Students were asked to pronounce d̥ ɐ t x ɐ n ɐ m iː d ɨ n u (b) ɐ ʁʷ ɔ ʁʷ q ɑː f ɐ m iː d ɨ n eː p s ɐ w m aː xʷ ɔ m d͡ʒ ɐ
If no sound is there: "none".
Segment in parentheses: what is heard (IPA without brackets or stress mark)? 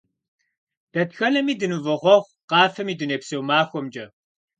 v